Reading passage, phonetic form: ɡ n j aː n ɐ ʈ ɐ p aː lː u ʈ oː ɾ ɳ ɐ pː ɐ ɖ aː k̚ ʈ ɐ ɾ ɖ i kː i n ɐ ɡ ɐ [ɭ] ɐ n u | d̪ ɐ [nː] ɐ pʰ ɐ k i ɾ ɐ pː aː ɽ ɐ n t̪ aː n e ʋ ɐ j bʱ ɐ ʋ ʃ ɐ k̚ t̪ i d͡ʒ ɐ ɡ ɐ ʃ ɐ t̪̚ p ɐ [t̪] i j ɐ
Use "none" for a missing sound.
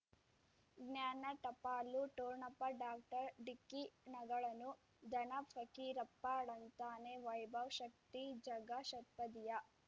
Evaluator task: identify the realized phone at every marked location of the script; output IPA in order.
ɭ, n, d̪

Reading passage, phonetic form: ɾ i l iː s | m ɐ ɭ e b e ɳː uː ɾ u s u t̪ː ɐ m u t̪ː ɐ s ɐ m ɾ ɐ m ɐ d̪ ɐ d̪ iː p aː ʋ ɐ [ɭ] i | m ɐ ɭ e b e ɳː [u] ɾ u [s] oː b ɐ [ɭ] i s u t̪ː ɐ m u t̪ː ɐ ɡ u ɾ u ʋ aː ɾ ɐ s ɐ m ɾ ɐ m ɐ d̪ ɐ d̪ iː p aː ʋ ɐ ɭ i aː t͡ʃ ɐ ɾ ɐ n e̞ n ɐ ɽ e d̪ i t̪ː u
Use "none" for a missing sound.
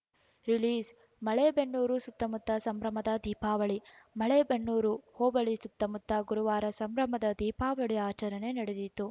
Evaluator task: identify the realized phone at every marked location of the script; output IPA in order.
ɭ, uː, h, ɭ

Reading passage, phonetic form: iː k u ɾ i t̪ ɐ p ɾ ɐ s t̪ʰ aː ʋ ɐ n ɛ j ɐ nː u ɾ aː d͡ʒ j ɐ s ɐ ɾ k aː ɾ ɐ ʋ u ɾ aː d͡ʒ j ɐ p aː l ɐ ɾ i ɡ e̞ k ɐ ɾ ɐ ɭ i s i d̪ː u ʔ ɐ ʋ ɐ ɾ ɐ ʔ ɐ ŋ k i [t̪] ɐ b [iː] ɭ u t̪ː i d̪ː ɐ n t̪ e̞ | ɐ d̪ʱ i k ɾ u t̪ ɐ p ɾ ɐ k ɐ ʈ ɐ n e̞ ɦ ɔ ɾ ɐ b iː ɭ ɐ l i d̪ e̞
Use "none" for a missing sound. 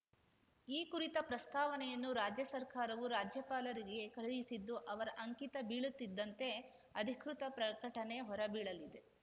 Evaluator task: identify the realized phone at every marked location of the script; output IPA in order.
t̪, iː

